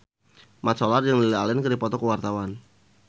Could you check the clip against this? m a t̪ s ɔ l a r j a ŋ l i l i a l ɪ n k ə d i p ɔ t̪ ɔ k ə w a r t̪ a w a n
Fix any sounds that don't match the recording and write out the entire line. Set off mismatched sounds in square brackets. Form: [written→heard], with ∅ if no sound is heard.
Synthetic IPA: m a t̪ s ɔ l a r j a ŋ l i l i a l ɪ n k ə d i p ɔ t̪ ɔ k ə w a r t̪ a w a n

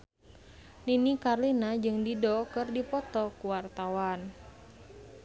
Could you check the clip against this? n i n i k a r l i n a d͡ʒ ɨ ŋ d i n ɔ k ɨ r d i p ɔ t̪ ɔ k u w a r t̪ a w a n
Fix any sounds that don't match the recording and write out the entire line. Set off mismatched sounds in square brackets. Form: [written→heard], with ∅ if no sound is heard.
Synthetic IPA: n i n i k a r l i n a d͡ʒ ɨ ŋ d i [n→d] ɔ k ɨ r d i p ɔ t̪ ɔ k u w a r t̪ a w a n

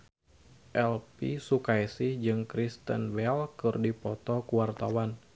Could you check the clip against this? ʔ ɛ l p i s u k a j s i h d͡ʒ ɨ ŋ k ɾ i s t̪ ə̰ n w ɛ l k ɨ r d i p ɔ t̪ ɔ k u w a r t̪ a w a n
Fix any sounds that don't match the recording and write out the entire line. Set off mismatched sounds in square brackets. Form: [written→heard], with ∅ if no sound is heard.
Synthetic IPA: ʔ ɛ l p i s u k a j s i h d͡ʒ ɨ ŋ k ɾ i s t̪ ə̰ n w ɛ l k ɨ r d i p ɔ t̪ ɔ k u w a r t̪ a w a n

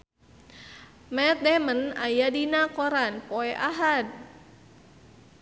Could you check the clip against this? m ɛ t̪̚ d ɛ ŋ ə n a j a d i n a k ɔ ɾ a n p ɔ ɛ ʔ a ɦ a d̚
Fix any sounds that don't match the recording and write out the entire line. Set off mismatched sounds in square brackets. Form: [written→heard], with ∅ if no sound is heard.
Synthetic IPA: m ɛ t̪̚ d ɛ [ŋ→m] ə n a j a d i n a k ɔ ɾ a n p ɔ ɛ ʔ a ɦ a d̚

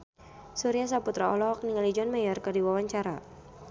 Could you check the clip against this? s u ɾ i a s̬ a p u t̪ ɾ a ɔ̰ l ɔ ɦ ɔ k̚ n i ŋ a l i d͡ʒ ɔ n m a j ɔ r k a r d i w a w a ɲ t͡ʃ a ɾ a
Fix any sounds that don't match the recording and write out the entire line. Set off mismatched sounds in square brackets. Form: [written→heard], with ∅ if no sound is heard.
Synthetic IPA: s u ɾ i a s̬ a p u t̪ ɾ a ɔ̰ l ɔ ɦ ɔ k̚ n i ŋ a l i d͡ʒ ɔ n m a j ɔ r k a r d i w a w a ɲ t͡ʃ a ɾ a

